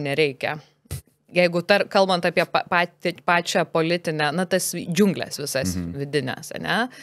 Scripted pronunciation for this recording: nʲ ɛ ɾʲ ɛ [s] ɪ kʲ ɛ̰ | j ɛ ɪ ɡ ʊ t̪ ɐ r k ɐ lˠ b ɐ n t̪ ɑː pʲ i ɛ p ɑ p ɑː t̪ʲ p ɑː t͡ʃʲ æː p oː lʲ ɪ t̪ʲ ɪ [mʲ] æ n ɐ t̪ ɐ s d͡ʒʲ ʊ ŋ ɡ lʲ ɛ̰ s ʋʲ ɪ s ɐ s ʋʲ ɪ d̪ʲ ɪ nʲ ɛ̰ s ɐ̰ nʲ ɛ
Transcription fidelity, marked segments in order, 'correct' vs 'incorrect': incorrect: none, incorrect: nʲ

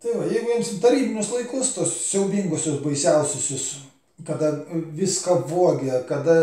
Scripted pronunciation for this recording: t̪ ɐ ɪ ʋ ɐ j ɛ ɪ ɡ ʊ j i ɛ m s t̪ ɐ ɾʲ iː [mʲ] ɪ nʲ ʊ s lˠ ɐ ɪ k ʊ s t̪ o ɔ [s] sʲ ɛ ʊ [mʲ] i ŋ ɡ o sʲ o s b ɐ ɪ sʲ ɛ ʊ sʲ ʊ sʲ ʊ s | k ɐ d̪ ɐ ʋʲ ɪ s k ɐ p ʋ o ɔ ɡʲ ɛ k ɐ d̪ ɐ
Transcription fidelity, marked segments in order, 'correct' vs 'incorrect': incorrect: bʲ, correct, incorrect: bʲ

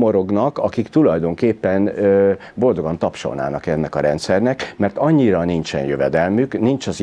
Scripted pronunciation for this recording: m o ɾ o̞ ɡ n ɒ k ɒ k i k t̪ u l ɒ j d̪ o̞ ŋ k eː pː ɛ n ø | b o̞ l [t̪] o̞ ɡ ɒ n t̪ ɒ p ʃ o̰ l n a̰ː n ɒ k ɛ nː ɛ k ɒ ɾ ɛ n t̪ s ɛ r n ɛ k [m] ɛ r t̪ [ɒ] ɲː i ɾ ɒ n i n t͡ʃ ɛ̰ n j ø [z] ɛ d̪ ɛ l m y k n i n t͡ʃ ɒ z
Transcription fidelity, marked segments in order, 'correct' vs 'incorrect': incorrect: d̪, correct, correct, incorrect: v

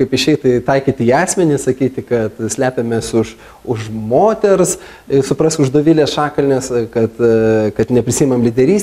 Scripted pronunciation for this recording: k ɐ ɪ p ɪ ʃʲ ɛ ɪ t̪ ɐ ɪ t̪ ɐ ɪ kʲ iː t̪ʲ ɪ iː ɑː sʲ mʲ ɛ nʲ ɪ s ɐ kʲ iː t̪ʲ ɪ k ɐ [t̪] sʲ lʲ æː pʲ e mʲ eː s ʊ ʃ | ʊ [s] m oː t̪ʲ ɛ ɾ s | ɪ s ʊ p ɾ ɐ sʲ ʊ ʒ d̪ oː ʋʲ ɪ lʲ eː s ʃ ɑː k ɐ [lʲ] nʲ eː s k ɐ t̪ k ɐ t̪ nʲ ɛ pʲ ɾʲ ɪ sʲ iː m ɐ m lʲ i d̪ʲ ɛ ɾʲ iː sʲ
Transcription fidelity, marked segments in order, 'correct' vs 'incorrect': correct, incorrect: ʃ, correct

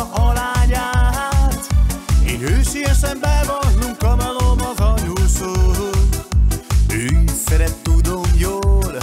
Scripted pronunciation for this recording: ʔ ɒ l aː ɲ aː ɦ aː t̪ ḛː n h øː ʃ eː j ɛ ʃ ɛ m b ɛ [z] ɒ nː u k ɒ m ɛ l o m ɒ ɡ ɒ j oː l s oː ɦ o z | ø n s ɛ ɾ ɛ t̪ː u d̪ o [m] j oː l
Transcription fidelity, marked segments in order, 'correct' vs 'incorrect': incorrect: v, correct

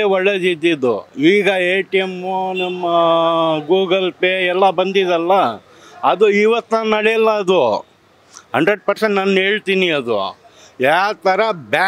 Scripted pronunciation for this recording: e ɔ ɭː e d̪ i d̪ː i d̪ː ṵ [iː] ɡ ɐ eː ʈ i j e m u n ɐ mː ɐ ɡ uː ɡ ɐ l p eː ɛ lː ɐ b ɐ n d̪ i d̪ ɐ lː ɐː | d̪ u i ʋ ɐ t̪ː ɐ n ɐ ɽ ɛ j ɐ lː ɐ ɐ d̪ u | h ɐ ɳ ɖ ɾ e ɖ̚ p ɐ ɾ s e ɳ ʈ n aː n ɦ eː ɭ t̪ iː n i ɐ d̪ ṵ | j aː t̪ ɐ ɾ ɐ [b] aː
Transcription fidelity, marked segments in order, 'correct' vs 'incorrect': correct, correct

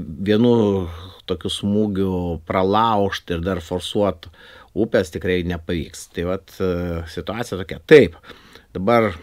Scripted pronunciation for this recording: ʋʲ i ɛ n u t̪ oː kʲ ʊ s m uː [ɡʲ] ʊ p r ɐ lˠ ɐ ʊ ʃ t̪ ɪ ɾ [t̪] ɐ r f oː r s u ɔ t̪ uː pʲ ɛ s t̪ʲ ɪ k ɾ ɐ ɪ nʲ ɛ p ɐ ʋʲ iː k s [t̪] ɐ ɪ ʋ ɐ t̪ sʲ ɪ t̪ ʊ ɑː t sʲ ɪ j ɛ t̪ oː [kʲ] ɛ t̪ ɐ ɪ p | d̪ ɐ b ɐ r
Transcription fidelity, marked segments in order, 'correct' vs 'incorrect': correct, incorrect: d̪, correct, correct

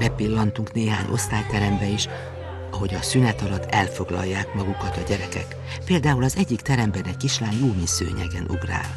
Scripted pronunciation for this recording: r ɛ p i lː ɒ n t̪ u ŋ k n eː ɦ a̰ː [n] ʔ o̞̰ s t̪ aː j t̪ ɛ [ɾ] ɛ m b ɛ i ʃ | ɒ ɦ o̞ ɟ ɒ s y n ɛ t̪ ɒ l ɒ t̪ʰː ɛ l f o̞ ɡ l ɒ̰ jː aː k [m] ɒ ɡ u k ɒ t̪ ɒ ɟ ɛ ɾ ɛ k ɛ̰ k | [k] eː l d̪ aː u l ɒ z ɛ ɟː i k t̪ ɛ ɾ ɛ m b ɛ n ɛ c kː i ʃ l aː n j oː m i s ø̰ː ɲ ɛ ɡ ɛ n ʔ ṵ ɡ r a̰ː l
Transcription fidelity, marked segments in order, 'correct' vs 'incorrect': incorrect: ɲ, correct, correct, incorrect: p

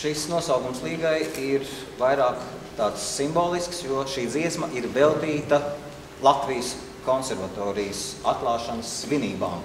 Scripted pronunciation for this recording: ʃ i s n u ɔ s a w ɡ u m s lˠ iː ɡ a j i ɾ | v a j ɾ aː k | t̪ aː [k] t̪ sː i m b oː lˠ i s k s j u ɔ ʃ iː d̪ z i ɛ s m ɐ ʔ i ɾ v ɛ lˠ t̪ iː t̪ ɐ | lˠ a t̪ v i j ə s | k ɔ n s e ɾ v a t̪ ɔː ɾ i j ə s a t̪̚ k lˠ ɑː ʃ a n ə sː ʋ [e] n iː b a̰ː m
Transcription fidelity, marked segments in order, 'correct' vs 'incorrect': incorrect: none, incorrect: i

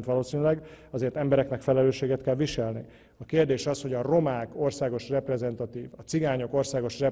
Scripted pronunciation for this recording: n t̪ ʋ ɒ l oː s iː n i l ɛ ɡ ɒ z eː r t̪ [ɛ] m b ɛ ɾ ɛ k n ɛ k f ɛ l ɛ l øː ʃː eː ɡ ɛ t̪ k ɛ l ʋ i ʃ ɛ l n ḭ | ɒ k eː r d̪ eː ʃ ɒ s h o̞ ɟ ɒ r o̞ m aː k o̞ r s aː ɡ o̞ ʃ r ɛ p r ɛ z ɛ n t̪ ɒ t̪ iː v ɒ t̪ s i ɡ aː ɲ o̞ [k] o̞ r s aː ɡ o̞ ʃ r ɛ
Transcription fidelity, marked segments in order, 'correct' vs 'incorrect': correct, correct

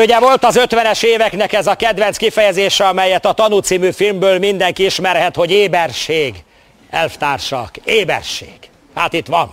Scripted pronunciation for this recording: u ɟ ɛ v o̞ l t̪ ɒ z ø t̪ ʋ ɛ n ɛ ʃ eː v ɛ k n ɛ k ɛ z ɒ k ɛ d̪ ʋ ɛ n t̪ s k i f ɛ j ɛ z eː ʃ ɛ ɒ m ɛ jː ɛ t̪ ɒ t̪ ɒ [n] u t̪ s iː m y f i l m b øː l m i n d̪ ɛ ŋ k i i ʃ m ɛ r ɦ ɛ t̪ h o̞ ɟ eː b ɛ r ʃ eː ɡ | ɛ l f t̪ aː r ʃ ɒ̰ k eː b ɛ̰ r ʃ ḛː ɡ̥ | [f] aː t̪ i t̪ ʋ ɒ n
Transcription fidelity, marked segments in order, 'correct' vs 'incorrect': correct, incorrect: h

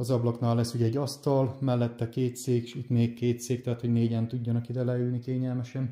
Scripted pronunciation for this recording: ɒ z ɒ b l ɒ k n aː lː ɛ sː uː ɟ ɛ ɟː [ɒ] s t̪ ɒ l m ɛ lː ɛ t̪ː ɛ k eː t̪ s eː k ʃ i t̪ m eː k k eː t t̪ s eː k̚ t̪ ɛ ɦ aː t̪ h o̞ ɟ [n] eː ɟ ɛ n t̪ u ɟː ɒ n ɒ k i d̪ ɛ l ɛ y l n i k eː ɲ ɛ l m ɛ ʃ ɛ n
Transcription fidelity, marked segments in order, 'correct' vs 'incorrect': correct, correct

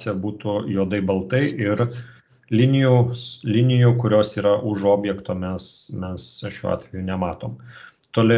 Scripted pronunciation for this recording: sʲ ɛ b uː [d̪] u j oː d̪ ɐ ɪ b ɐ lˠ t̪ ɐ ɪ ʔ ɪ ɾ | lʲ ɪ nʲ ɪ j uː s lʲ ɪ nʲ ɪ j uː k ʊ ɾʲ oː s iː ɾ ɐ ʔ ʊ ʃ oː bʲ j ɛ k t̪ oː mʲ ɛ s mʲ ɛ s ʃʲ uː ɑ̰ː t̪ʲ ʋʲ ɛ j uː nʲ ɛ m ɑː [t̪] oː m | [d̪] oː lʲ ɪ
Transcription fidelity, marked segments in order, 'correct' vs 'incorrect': incorrect: t̪, correct, incorrect: t̪

